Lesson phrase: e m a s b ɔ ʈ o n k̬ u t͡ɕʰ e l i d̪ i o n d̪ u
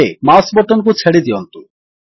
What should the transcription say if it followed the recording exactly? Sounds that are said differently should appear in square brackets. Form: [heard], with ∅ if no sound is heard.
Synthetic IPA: e m a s b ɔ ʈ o n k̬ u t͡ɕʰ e [ɽ] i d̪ i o n [t̪] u

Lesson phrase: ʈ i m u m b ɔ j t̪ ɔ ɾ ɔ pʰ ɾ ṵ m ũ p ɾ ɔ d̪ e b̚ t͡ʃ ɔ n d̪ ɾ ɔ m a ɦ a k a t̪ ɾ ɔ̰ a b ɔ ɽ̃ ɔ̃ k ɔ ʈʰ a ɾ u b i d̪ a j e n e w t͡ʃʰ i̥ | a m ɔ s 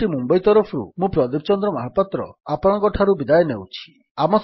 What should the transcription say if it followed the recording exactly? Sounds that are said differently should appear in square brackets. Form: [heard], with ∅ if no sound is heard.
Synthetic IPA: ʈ i m u m b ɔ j t̪ ɔ ɾ ɔ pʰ ɾ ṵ m ũ p ɾ ɔ d̪ [i] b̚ t͡ʃ ɔ n d̪ ɾ ɔ m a ɦ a [p] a t̪ ɾ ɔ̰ a [p] ɔ ɽ̃ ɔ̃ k ɔ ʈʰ a ɾ u b i d̪ a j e n e w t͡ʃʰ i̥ | a m ɔ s

